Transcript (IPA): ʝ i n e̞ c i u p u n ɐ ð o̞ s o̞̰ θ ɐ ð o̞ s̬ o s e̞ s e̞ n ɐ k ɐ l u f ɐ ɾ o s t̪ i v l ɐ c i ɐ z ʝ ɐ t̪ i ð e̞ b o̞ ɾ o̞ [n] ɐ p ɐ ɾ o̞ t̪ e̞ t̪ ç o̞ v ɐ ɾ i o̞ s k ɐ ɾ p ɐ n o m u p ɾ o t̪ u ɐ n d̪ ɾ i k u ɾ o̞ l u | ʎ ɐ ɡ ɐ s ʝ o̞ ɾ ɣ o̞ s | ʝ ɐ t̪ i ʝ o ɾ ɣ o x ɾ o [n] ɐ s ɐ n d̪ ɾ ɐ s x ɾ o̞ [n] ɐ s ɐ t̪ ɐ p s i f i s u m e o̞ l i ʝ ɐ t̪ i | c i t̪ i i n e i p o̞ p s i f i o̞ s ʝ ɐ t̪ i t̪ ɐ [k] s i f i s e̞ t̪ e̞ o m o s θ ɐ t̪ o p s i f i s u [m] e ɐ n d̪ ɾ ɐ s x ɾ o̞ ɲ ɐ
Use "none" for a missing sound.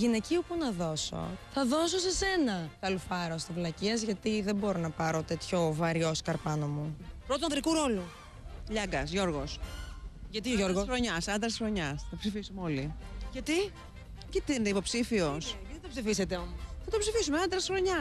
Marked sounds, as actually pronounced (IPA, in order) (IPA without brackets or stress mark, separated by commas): n, ɲ, ɲ, p, m